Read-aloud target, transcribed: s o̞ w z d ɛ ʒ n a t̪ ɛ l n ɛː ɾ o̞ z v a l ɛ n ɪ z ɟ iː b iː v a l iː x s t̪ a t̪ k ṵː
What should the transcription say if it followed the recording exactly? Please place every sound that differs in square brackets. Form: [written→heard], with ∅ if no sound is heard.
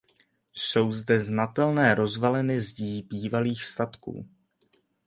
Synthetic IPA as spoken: s o̞ w z d ɛ [ʒ→z] n a t̪ ɛ l n ɛː ɾ o̞ z v a l ɛ n ɪ z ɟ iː b iː v a l iː x s t̪ a t̪ k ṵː